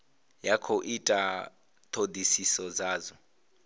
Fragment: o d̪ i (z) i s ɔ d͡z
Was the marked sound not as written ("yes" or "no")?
yes